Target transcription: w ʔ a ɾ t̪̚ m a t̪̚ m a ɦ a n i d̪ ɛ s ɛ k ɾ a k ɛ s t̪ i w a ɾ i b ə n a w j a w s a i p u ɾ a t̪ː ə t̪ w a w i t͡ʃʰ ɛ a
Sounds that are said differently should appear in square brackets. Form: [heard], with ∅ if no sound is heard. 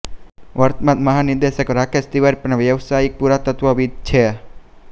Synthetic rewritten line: w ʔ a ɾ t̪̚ m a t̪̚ m a ɦ a n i d̪ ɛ s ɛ k ɾ a k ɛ s t̪ i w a ɾ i [p] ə n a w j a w s a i p u ɾ a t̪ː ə t̪ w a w i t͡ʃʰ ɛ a